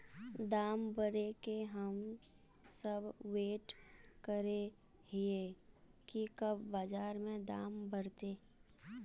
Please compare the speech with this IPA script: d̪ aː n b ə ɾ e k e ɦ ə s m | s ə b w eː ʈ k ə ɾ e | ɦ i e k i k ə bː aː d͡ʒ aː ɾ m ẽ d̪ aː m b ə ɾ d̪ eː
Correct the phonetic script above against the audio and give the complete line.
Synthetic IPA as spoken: d̪ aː m b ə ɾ e k e ɦ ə m | s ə b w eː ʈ k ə ɾ e | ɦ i e k i k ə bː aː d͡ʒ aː ɾ m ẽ d̪ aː m b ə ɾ t̪ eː